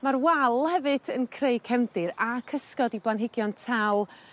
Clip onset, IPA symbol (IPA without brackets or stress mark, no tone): m